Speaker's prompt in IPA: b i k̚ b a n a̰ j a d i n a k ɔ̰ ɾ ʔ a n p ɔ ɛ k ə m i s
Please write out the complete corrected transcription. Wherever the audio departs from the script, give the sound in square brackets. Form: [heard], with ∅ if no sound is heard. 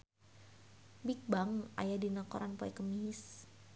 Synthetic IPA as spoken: b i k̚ b a [ŋ] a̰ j a d i n a k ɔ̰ ɾ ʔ a n p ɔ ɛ k ə m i s